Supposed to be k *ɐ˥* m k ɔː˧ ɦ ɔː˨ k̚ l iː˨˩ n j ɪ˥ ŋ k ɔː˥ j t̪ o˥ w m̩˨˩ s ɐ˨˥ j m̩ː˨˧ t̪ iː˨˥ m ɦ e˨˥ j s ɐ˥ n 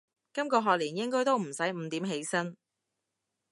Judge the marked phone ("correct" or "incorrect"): correct